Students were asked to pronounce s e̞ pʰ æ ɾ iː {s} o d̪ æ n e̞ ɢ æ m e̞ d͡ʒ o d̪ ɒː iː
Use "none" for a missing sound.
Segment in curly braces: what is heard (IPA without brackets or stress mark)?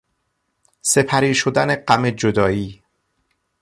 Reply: ʃ